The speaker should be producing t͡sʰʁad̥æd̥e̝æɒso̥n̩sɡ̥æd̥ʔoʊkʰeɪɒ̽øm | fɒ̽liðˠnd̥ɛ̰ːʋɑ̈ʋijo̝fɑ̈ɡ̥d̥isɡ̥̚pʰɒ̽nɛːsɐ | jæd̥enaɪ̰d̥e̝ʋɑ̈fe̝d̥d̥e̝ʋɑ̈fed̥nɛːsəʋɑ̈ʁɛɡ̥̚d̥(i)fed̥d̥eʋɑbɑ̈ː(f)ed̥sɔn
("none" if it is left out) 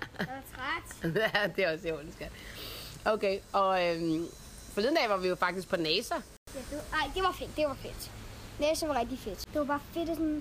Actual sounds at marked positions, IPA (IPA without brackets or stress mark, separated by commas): i, f